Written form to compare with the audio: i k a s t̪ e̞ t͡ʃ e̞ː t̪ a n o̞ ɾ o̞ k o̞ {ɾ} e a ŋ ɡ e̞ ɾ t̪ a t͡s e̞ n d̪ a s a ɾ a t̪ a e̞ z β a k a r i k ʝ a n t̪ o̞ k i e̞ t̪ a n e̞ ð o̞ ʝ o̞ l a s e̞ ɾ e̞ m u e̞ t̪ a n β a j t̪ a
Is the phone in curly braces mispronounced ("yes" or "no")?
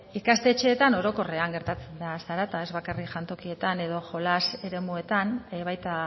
yes